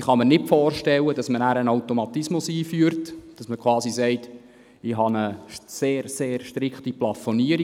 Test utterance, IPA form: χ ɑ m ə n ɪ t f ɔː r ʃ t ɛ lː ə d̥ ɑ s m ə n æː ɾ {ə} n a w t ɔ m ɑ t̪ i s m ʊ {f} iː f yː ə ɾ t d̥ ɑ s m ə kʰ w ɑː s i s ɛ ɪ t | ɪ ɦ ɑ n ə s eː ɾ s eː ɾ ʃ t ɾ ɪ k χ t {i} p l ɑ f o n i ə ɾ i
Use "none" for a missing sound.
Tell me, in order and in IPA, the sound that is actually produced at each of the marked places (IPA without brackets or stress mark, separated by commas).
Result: ə, s, i